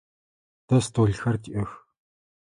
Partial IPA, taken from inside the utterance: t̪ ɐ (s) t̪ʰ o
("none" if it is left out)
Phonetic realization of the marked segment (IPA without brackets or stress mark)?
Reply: s